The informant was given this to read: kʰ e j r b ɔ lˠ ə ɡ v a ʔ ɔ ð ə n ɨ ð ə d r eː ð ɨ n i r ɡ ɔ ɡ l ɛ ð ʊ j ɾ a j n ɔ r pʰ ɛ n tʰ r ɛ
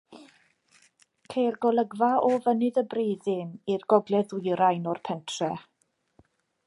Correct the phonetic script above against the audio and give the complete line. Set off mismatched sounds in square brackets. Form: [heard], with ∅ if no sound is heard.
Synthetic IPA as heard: kʰ e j r [ɡ] ɔ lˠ ə ɡ v a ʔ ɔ [v] ə n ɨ ð ə [b] r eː ð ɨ n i r ɡ ɔ ɡ l ɛ ð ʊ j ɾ a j n ɔ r pʰ ɛ n tʰ r ɛ